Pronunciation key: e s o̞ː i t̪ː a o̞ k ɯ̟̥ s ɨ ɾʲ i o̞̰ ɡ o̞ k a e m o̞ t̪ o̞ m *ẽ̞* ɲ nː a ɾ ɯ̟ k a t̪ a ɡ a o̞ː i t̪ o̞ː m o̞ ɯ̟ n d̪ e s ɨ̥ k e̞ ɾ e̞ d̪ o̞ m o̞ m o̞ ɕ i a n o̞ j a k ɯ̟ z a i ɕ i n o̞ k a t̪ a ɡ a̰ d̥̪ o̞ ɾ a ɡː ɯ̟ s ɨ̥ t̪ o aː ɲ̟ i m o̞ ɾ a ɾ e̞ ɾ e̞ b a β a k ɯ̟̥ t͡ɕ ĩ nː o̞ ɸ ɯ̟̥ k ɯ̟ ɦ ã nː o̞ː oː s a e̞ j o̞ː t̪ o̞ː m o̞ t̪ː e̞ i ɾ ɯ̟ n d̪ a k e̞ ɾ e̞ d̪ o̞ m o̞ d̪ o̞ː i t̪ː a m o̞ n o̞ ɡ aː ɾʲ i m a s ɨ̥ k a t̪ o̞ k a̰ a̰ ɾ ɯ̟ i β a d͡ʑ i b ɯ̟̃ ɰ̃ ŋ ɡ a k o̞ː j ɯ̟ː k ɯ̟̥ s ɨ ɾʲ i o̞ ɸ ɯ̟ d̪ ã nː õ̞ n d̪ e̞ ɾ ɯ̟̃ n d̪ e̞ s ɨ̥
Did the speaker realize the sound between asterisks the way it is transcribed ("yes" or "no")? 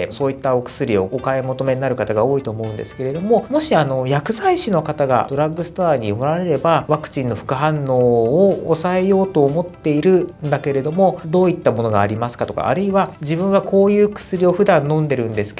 no